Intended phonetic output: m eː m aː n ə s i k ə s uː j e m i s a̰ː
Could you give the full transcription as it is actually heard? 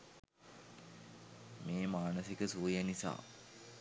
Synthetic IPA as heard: m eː m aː n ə s i k ə s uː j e n i s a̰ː